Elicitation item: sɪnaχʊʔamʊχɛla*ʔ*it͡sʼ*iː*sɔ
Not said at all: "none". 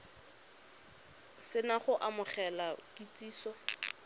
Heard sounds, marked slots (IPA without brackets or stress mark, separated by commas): k, iː